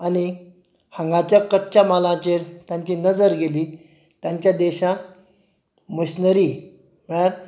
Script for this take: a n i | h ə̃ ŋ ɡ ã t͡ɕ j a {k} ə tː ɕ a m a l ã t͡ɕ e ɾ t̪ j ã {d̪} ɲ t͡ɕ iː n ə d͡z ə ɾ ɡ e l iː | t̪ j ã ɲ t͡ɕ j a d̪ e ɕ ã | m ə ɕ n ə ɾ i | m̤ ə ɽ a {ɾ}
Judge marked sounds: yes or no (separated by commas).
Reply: yes, no, yes